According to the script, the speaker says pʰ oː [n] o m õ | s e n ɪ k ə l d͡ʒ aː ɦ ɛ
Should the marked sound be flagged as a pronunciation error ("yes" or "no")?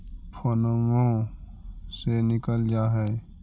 no